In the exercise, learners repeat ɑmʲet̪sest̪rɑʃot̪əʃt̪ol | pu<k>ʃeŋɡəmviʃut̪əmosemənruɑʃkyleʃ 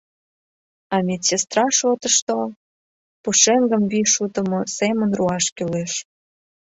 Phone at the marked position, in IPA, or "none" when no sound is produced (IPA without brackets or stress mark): none